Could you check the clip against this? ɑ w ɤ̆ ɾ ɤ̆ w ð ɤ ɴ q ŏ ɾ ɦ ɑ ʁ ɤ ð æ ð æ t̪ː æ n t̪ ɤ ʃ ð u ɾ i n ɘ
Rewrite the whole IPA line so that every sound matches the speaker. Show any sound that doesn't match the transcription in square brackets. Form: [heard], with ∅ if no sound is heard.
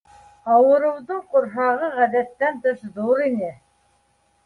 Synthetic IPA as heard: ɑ w ɤ̆ ɾ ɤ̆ w ð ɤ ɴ q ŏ ɾ ɦ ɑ ʁ ɤ [ʁ] æ ð æ t̪ː æ n t̪ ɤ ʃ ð u ɾ i n ɘ